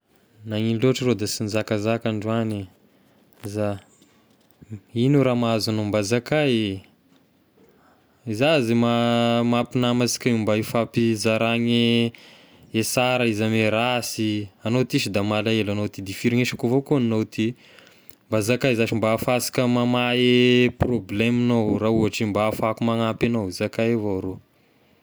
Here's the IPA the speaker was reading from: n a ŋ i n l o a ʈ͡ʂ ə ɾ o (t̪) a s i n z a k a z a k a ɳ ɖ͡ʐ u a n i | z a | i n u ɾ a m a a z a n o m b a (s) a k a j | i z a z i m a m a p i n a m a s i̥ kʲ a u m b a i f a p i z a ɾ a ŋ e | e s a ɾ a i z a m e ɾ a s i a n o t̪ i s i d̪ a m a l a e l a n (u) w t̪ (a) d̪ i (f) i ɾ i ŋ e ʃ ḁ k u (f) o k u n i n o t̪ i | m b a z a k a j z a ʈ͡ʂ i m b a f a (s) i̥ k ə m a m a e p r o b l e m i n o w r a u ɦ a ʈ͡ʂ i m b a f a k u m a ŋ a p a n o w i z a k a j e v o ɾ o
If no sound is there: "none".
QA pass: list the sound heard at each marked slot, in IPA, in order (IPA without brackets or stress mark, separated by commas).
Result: d̪, z, o, i, f, v, s